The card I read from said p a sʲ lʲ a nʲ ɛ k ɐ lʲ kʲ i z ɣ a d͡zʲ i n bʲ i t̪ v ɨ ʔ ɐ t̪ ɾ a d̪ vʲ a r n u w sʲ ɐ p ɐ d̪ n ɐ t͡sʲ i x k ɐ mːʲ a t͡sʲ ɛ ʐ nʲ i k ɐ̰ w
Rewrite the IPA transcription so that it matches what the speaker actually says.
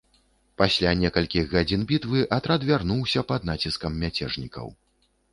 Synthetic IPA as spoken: p a sʲ lʲ a nʲ ɛ k ɐ lʲ kʲ i ɣ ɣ a d͡zʲ i n bʲ i t̪ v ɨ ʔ ɐ t̪ ɾ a d̪ vʲ a r n u w sʲ ɐ p ɐ d̪ n a t͡sʲ i s k ɐ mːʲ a t͡sʲ ɛ ʐ nʲ i k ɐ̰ w